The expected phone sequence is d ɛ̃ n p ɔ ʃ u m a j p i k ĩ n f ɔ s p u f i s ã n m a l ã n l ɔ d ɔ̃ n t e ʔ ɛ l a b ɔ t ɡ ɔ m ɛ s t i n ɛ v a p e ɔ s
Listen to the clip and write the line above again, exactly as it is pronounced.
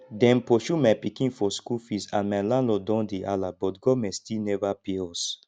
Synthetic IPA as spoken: d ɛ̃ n p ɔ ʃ u m a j p i k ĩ n f ɔ s k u f i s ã n m a l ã n l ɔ d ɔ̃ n d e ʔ a l a b ɔ t ɡ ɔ m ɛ s t i n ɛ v a p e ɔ s